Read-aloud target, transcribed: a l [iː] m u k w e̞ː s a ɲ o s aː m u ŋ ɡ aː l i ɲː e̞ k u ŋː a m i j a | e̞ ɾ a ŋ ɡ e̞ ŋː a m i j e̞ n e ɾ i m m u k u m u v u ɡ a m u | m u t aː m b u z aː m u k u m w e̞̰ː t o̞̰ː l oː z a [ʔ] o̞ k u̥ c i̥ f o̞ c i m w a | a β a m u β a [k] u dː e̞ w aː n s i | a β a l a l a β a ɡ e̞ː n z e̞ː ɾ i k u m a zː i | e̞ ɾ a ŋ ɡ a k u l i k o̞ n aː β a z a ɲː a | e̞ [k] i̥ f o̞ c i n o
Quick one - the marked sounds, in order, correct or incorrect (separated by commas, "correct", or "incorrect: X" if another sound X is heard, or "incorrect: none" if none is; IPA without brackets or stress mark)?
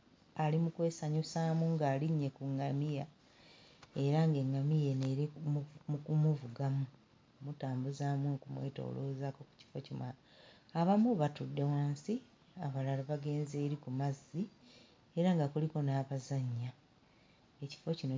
incorrect: i, incorrect: k, incorrect: t, incorrect: c